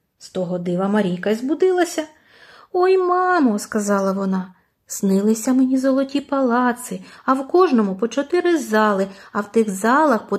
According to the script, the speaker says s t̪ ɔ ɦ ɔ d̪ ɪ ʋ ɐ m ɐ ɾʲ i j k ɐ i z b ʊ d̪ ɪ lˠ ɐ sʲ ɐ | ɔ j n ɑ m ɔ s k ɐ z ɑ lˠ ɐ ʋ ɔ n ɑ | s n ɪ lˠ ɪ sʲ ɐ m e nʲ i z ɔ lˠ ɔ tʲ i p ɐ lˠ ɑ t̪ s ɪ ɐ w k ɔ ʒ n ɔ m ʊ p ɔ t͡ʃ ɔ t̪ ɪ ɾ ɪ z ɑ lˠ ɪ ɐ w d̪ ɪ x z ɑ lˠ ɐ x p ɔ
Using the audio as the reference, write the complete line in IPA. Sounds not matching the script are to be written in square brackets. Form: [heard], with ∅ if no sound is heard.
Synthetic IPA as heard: s t̪ ɔ ɦ ɔ d̪ ɪ ʋ ɐ m ɐ ɾʲ i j k ɐ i z b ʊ d̪ ɪ lˠ ɐ sʲ ɐ | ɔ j [m] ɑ m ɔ s k ɐ z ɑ lˠ ɐ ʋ ɔ n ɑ | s n ɪ lˠ ɪ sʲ ɐ m e nʲ i z ɔ lˠ ɔ tʲ i p ɐ lˠ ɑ t̪ s ɪ ɐ w k ɔ ʒ n ɔ m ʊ p ɔ t͡ʃ ɔ t̪ ɪ ɾ ɪ z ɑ lˠ ɪ ɐ w [t̪] ɪ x z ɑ lˠ ɐ x p ɔ